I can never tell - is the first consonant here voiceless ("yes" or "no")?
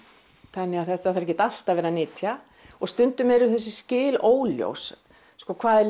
yes